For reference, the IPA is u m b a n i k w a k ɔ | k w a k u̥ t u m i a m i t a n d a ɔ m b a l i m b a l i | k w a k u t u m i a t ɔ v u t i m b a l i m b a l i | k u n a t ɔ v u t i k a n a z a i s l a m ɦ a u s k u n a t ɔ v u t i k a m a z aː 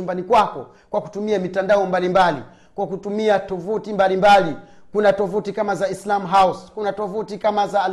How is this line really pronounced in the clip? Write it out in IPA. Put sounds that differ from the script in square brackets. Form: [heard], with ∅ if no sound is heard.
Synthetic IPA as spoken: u m b a n i k w a k ɔ | k w a k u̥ t u m i a m i t a n d a ɔ m b a l i m b a l i | k w a k u t u m i a t ɔ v u t i m b a l i m b a l i | k u n a t ɔ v u t i k a [m] a z a i s l a m ɦ a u s k u n a t ɔ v u t i k a m a z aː